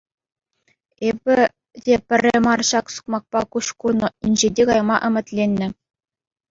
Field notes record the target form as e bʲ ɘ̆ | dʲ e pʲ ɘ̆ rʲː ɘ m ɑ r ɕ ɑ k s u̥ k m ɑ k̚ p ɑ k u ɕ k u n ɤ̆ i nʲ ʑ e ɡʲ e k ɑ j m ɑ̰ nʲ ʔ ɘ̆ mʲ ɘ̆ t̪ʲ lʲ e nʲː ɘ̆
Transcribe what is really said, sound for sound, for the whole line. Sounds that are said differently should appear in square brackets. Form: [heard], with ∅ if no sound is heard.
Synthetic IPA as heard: e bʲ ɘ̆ | dʲ e pʲ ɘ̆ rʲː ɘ m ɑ r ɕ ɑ k s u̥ k m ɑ k̚ p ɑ k u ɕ k u n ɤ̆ i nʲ ʑ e [dʲ] e k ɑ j m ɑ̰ [∅] ʔ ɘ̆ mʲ ɘ̆ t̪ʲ lʲ e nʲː ɘ̆